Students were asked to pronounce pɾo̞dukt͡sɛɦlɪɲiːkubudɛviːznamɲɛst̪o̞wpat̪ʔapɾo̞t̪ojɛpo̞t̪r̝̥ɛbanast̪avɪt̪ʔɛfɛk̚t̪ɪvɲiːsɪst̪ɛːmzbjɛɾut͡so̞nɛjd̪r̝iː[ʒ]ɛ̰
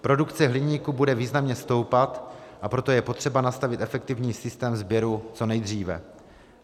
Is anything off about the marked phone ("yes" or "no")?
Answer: yes